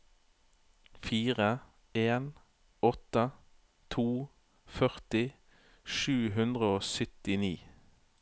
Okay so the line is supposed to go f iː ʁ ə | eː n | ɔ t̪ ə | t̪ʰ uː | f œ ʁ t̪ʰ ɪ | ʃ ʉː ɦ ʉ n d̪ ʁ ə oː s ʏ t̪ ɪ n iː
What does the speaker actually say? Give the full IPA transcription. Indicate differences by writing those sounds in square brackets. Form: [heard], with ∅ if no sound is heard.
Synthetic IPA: f iː ʁ ə | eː n | ɔ t̪ ə | t̪ʰ uː | f œ ʁ [t̪] ɪ | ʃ ʉː ɦ ʉ n d̪ ʁ ə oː s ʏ t̪ ɪ n iː